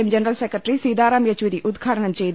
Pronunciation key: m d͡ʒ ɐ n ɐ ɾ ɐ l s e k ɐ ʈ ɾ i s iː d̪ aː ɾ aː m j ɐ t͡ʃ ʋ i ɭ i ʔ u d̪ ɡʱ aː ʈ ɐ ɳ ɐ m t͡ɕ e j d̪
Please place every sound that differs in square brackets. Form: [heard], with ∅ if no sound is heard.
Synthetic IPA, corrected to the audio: m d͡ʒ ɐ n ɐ ɾ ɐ l s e k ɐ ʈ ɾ i s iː d̪ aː ɾ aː m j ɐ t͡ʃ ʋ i [ɾ] i ʔ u d̪ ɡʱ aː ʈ ɐ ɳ ɐ m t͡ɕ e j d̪